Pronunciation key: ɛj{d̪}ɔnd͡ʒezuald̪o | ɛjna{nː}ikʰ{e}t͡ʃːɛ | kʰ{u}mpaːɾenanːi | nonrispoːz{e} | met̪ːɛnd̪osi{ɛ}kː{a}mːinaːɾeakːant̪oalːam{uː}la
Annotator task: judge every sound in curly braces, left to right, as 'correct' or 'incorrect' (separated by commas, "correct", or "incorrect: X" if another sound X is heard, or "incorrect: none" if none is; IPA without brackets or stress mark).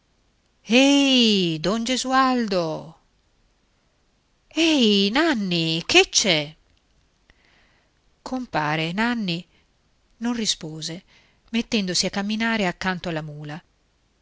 correct, correct, correct, incorrect: o, correct, incorrect: a, correct, correct